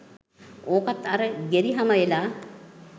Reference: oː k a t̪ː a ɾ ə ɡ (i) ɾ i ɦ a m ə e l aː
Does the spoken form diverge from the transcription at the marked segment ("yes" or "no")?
yes